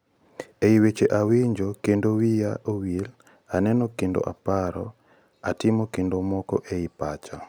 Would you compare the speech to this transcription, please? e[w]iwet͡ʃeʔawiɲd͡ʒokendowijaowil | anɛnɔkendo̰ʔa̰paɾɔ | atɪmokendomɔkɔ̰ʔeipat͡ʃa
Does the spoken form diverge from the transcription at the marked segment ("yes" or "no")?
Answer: yes